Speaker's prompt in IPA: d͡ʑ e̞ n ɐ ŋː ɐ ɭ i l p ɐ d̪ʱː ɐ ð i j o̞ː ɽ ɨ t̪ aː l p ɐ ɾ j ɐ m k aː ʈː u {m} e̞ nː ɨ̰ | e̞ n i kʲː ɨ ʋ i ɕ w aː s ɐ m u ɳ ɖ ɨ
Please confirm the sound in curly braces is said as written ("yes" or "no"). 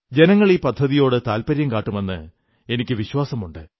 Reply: yes